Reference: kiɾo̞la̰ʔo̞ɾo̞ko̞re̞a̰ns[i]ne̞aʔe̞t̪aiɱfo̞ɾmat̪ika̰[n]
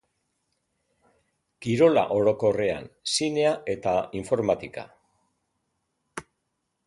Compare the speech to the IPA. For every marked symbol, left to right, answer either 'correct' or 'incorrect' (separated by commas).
correct, incorrect